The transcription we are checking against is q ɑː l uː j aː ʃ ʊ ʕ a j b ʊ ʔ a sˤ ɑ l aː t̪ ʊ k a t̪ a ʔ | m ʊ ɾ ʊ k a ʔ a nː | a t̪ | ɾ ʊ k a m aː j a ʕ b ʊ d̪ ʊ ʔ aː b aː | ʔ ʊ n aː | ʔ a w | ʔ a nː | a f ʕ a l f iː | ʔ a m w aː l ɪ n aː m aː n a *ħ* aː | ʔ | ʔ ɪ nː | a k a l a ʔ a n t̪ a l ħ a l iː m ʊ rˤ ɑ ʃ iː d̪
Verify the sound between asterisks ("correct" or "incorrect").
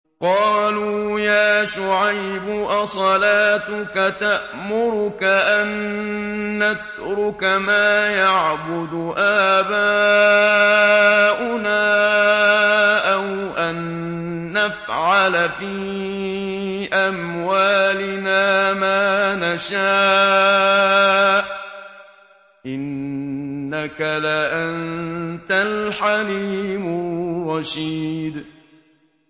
incorrect